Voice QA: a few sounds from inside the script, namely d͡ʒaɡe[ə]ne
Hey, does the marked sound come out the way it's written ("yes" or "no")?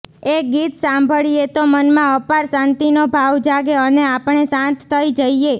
yes